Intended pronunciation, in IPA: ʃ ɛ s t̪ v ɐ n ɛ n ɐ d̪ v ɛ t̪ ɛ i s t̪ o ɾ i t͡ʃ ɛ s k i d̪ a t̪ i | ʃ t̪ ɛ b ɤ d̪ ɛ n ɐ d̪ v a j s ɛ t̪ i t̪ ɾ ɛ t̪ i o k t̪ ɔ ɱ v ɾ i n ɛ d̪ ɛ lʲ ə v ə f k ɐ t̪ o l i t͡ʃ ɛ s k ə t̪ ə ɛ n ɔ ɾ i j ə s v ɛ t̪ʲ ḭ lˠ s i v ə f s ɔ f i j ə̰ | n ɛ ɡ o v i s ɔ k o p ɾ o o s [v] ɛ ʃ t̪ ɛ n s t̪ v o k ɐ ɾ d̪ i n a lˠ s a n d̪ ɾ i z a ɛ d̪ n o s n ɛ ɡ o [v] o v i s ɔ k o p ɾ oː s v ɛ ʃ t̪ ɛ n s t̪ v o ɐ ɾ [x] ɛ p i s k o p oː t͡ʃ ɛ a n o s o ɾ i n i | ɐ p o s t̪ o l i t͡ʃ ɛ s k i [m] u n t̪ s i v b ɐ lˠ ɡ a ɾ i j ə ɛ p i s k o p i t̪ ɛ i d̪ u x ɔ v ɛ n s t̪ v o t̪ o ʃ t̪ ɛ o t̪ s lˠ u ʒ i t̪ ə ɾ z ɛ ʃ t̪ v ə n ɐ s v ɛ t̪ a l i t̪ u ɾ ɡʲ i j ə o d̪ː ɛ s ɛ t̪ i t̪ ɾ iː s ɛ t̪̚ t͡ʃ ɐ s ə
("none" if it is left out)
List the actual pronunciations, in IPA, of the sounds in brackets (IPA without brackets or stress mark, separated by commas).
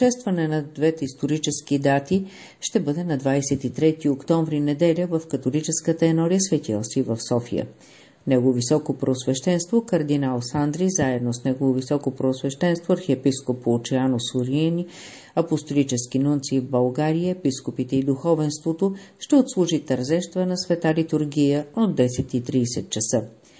v, v, x, n